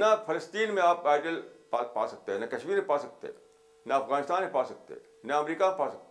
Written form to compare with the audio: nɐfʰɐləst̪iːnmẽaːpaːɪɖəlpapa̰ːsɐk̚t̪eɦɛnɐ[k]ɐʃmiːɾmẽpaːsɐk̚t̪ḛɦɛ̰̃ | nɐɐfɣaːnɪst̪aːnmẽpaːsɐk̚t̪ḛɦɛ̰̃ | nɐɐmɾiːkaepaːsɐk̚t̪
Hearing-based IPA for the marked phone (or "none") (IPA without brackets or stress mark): k